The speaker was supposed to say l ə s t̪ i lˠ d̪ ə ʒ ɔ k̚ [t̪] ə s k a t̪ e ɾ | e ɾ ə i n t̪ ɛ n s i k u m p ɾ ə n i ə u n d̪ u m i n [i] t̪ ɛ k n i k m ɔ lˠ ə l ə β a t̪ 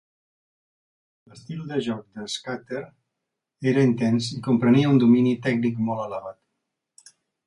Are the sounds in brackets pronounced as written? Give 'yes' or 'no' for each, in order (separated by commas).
no, yes